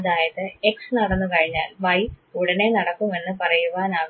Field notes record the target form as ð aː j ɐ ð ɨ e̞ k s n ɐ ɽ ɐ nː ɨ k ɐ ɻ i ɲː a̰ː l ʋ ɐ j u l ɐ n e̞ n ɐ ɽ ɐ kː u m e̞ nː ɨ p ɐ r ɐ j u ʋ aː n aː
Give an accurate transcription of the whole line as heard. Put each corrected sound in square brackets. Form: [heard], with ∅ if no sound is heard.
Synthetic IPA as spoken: ð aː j ɐ ð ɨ e̞ k s n ɐ ɽ ɐ nː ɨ k ɐ ɻ i ɲː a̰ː l ʋ ɐ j u [ɽ] ɐ n e̞ n ɐ ɽ ɐ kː u m e̞ nː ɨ p ɐ r ɐ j u ʋ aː n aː